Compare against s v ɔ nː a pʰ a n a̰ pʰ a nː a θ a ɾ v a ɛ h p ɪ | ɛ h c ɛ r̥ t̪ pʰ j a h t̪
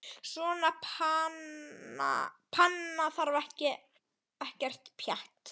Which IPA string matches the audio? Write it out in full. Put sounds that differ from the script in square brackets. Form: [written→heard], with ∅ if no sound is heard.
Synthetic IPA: s v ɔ [nː→n] a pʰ a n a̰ pʰ a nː a θ a ɾ v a ɛ h [p→c] ɪ | ɛ h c ɛ r̥ t̪ pʰ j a h t̪

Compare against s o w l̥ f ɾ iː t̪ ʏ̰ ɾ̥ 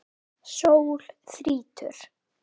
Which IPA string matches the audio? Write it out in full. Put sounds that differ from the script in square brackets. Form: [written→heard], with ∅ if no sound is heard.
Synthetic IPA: s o w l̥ [f→θ] ɾ iː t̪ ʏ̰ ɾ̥

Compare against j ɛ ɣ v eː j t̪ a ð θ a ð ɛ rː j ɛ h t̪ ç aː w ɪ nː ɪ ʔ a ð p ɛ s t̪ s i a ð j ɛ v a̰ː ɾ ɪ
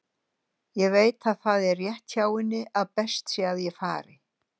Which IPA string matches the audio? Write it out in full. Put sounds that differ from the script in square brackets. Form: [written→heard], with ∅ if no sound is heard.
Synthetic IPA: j ɛ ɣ v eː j t̪ a ð θ a ð ɛ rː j ɛ h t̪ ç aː w ɪ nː ɪ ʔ a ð p ɛ s t̪ s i a ð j ɛ [v→f] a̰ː ɾ ɪ

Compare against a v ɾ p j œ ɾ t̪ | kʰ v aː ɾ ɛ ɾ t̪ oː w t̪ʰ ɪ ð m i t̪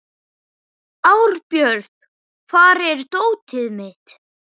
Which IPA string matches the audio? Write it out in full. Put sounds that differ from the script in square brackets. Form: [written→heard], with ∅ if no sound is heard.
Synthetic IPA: a [v→w] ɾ p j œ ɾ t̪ | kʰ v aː ɾ ɛ ɾ t̪ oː w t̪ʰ ɪ ð m [i→ɪ] t̪

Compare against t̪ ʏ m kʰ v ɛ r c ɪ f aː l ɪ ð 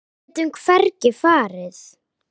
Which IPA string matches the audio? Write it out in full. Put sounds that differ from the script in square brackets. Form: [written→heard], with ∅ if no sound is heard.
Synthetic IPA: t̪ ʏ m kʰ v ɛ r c ɪ f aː [l→ɾ] ɪ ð

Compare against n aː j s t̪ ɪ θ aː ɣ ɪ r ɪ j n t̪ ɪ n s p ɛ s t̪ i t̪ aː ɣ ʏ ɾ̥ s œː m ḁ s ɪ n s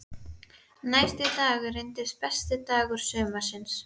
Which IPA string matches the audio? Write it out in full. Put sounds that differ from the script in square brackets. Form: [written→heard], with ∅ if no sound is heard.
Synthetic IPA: n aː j s t̪ ɪ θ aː ɣ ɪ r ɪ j n t̪ ɪ [n→∅] s p ɛ s t̪ [i→ɪ] t̪ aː ɣ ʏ ɾ̥ s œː m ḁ s ɪ n s

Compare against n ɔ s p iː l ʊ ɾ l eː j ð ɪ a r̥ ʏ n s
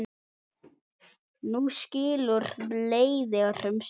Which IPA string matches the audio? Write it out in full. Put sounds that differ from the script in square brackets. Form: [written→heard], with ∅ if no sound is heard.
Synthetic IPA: n [ɔ→u] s [p→c] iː l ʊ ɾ l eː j ð ɪ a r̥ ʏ [n→m] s

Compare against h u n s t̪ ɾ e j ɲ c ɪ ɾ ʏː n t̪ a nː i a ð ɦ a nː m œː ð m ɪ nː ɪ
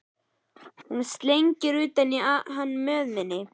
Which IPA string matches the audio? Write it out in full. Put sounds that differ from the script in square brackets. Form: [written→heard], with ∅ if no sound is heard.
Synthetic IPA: h u n s t̪ [ɾ→l] e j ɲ c ɪ ɾ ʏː [n→∅] t̪ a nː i a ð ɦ a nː m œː ð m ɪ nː ɪ

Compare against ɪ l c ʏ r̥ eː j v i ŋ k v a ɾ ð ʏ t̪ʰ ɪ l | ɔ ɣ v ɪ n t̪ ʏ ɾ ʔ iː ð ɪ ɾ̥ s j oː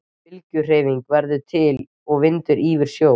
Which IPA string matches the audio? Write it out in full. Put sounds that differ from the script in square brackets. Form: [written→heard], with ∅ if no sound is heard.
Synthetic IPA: ɪ l c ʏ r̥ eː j v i ŋ k v [a→ɛ] ɾ ð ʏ t̪ʰ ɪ l | ɔ ɣ v ɪ n t̪ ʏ ɾ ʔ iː [ð→v] ɪ ɾ̥ s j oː

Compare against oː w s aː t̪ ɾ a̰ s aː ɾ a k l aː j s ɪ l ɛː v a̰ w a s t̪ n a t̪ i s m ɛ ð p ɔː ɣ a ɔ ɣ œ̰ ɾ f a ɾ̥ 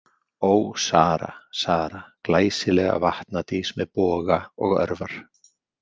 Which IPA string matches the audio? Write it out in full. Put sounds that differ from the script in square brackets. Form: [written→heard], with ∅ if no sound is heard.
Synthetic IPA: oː w s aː [t̪→∅] ɾ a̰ s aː ɾ a k l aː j s ɪ l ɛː [v→ɣ] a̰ [w→v] a [s→h] t̪ n a t̪ i s m ɛ ð p ɔː ɣ a ɔ ɣ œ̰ ɾ [f→v] a ɾ̥

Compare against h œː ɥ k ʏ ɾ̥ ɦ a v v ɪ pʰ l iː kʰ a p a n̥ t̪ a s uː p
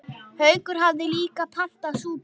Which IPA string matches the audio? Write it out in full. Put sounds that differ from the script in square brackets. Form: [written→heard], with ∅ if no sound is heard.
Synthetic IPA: h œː ɥ k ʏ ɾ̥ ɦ a v [v→ð] ɪ [pʰ→∅] l iː [kʰ→k] a [p→pʰ] a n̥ t̪ a s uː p

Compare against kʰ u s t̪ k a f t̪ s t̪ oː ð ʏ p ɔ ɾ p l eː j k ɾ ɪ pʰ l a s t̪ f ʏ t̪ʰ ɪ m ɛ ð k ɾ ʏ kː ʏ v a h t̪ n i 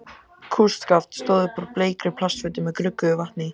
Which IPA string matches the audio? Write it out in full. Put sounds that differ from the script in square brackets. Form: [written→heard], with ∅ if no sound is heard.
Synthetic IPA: kʰ u s t̪ k a f t̪ s t̪ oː ð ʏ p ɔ ɾ p l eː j k ɾ ɪ pʰ l a s t̪ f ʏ [t̪ʰ→t̪] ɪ m ɛ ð k ɾ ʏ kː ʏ v a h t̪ n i

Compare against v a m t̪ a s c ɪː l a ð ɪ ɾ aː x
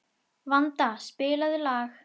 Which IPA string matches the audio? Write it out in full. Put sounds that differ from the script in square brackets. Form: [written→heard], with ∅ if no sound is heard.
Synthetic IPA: v a [m→n] t̪ a s [c→p] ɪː l a ð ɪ [ɾ→l] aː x

